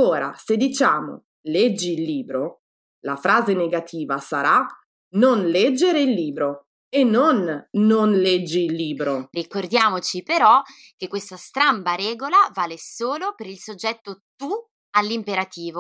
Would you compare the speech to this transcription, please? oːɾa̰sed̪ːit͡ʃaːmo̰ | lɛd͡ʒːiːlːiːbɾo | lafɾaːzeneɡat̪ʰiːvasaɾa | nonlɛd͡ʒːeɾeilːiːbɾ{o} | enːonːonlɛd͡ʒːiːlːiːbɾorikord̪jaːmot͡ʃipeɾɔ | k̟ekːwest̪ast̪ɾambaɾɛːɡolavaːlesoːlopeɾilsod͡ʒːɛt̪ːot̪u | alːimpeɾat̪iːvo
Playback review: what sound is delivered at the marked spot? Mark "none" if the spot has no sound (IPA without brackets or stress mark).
o